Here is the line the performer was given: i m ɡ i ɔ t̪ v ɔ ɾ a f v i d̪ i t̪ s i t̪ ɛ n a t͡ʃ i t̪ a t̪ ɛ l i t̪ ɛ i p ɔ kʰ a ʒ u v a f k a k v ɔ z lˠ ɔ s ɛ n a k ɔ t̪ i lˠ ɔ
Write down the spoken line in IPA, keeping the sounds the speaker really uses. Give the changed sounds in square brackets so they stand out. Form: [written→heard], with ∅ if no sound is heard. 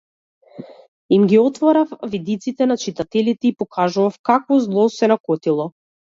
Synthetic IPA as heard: i m ɡ i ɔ t̪ v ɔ ɾ a f v i d̪ i t̪ s i t̪ ɛ n a t͡ʃ i t̪ a t̪ ɛ l i t̪ ɛ i p ɔ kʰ a ʒ u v a f k a k v ɔ z lˠ ɔ s ɛ n a k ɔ t̪ i lˠ ɔ